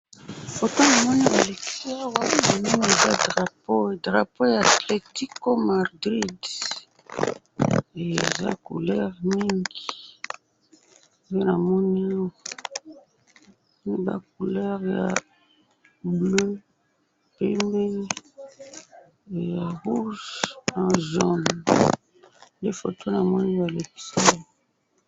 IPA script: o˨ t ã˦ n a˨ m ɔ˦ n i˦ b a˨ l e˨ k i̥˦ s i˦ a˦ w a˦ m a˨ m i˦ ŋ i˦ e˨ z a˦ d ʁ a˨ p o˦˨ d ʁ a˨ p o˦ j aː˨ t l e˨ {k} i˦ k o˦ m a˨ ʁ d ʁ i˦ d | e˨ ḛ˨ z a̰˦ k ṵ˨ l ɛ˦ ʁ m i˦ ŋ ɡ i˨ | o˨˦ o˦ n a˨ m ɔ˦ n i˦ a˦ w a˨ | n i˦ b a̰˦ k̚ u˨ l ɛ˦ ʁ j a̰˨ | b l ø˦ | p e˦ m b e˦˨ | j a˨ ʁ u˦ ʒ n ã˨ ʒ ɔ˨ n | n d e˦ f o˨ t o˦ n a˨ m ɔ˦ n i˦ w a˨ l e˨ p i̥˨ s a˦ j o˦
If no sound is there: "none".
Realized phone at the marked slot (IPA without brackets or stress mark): t